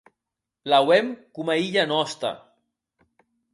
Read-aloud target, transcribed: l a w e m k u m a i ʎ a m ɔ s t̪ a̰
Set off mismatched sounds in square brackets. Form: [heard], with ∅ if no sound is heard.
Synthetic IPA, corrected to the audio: l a w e m k u m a i ʎ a [n] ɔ s t̪ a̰